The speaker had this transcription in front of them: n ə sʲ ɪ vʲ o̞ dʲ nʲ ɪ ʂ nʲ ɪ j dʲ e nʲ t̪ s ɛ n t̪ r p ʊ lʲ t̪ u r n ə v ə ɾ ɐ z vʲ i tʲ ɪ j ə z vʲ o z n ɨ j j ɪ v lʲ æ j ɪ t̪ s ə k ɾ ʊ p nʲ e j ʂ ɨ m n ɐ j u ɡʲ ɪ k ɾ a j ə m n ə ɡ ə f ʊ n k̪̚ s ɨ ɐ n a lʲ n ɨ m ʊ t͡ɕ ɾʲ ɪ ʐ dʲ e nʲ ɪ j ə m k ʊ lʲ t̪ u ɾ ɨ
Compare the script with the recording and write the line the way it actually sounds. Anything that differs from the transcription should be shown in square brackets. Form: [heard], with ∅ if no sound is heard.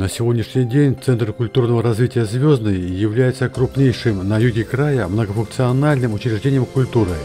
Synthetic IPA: n ə sʲ ɪ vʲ o̞ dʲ nʲ ɪ ʂ nʲ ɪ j dʲ e nʲ t̪ s ɛ n t̪ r [k] ʊ lʲ t̪ u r n ə v ə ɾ ɐ z vʲ i tʲ ɪ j ə z vʲ o z n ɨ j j ɪ v lʲ æ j ɪ t̪ s ə k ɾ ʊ p nʲ e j ʂ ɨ m n ɐ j u ɡʲ ɪ k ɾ a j ə m n ə ɡ ə f ʊ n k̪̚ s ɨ ɐ n a lʲ n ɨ m ʊ t͡ɕ ɾʲ ɪ ʐ dʲ e nʲ ɪ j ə m k ʊ lʲ t̪ u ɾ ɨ